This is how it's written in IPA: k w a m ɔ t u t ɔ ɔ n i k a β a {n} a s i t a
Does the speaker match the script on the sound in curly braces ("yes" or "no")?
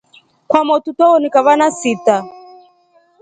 yes